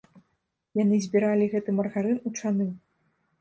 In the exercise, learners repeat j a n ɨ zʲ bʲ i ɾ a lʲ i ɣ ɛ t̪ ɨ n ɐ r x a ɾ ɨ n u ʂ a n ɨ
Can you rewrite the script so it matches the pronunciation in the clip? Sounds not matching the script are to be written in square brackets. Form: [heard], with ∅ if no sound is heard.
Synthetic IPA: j a n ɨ zʲ bʲ i ɾ a lʲ i ɣ ɛ t̪ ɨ [m] ɐ r [ɣ] a ɾ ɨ n u [t͡ʂ] a n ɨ

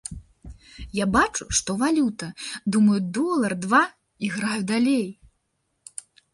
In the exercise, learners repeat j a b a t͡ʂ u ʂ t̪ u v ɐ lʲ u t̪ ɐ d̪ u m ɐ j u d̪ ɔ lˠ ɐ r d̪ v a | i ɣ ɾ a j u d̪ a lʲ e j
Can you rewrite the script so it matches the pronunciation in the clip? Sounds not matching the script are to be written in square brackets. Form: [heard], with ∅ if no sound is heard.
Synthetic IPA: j a b a t͡ʂ u ʂ t̪ [ɔ] v [a] lʲ u t̪ ɐ d̪ u m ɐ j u d̪ ɔ lˠ ɐ r d̪ v a | i ɣ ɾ a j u d̪ a lʲ e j

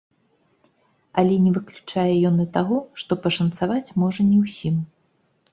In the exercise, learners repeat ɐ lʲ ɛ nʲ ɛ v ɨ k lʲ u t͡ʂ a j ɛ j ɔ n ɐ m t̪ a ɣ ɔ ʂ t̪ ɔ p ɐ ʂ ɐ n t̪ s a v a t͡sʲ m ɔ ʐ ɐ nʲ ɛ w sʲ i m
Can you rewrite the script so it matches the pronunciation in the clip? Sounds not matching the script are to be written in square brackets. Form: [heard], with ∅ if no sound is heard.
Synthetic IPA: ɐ lʲ ɛ nʲ ɛ v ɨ k lʲ u t͡ʂ a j ɛ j ɔ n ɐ [∅] t̪ a ɣ ɔ ʂ t̪ ɔ p ɐ ʂ ɐ n t̪ s a v a t͡sʲ m ɔ ʐ ɐ nʲ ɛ w sʲ i m

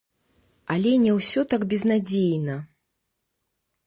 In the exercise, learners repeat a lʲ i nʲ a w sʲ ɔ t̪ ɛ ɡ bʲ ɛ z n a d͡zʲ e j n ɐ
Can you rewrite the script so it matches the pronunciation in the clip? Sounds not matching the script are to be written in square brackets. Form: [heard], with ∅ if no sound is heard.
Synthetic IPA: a lʲ [ɛ] nʲ [ɛ] w sʲ ɔ t̪ [a] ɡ bʲ ɛ z n a d͡zʲ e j n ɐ

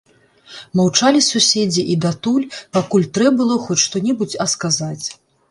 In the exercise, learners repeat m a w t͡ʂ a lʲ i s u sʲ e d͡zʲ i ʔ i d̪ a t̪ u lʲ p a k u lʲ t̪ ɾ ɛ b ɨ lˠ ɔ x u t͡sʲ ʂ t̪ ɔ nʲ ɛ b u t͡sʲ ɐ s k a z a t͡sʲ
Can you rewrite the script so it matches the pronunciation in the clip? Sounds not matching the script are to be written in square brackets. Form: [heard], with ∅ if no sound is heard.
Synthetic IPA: m a w t͡ʂ a lʲ i s u sʲ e d͡zʲ i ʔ i d̪ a t̪ u lʲ p a k u lʲ t̪ ɾ ɛ b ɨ lˠ ɔ x [ɔ] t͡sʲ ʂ t̪ ɔ nʲ ɛ b u t͡sʲ ɐ s k a z a t͡sʲ

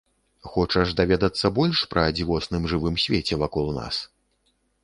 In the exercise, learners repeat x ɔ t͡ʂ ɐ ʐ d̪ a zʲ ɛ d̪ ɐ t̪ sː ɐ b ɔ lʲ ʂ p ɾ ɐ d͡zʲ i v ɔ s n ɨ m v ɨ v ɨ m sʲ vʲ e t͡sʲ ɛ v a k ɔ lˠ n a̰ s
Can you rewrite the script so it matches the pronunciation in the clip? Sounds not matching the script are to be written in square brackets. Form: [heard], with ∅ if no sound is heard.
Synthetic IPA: x ɔ t͡ʂ ɐ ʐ d̪ a [vʲ] ɛ d̪ ɐ t̪ sː ɐ b ɔ lʲ ʂ p ɾ ɐ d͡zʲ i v ɔ s n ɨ m [ʐ] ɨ v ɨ m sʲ vʲ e t͡sʲ ɛ v a k ɔ lˠ n a̰ s

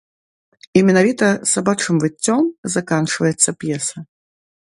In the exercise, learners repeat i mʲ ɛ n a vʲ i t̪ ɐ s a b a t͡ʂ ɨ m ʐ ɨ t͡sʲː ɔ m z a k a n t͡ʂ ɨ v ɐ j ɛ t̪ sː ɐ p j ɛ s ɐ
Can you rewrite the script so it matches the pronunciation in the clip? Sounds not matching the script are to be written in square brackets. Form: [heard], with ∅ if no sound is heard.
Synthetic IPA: i mʲ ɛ n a vʲ i t̪ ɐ s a b a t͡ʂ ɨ m [v] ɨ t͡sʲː ɔ m z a k a n t͡ʂ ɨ v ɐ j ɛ t̪ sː ɐ p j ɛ s ɐ

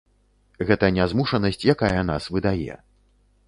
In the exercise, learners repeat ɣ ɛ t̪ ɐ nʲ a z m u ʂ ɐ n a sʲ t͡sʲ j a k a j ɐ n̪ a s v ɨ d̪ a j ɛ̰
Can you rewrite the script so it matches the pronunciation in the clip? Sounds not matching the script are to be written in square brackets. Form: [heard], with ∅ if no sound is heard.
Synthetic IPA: ɣ ɛ t̪ ɐ nʲ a z m u ʂ ɐ n [ɐ] sʲ t͡sʲ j a k a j ɐ n̪ a s v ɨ d̪ a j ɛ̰

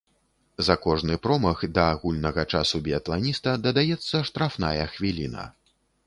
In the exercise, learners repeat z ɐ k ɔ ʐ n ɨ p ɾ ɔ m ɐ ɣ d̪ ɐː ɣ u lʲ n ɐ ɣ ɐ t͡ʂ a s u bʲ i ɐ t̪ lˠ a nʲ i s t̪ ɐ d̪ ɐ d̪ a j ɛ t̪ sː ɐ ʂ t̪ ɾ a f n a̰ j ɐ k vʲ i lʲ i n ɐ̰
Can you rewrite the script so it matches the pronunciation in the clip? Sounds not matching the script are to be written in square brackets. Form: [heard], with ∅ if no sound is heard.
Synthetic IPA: z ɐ k ɔ ʐ n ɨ p ɾ ɔ m ɐ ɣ d̪ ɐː ɣ u lʲ n ɐ ɣ ɐ t͡ʂ a s u bʲ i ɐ t̪ lˠ a nʲ i s t̪ ɐ d̪ ɐ d̪ a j ɛ t̪ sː ɐ ʂ t̪ ɾ a f n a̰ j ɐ [x] vʲ i lʲ i n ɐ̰

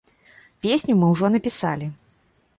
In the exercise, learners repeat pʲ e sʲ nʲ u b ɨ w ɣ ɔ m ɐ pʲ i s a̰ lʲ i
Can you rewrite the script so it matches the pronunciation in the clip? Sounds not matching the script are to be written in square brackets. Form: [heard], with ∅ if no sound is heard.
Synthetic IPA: pʲ e sʲ nʲ u [m] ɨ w [ʐ] ɔ [n] ɐ pʲ i s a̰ lʲ i

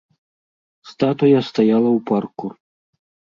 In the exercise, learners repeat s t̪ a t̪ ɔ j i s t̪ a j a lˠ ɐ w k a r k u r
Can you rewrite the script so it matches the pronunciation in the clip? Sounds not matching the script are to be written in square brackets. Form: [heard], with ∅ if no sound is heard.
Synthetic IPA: s t̪ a t̪ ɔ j [a] s t̪ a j a lˠ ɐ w [p] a r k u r

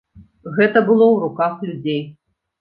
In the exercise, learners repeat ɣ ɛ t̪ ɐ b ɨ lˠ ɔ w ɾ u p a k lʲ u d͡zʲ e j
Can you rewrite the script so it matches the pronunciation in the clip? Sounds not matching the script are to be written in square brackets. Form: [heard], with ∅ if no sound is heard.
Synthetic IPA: ɣ ɛ t̪ ɐ b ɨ lˠ ɔ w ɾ u [k] a [x] lʲ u d͡zʲ e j

